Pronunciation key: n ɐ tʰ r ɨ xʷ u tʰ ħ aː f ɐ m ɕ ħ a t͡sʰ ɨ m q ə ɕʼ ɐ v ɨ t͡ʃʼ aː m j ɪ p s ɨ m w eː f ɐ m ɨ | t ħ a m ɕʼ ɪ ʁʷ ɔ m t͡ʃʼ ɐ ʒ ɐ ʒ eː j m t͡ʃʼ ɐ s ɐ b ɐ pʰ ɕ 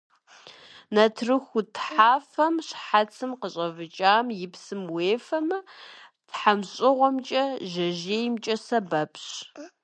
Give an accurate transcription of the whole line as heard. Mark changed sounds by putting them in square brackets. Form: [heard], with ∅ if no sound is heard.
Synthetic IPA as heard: n ɐ tʰ r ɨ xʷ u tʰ ħ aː f ɐ m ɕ ħ a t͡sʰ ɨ m q ə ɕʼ ɐ v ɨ t͡ʃʼ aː m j ɪ p s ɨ m w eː f ɐ m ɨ | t ħ a m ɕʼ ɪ ʁʷ ɔ m t͡ʃʼ ɐ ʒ ɐ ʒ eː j m t͡ʃʼ ɐ s ɐ b ɐ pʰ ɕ